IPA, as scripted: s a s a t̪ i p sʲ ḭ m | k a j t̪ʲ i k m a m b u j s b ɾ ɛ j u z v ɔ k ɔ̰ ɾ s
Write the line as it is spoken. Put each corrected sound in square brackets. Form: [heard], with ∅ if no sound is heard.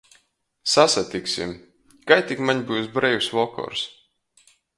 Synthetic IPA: s a s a t̪ i [k] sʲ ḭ m | k a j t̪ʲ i k m a [ɲ] b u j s b ɾ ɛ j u [s] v ɔ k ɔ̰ ɾ s